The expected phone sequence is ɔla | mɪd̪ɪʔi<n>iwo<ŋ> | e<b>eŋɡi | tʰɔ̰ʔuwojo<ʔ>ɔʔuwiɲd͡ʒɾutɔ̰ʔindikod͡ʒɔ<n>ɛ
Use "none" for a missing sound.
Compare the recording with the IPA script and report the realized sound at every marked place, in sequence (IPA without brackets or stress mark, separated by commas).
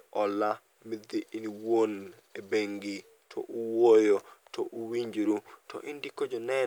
n, n, b, t, n